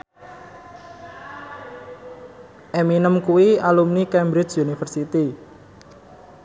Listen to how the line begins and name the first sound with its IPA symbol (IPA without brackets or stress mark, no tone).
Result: ʔ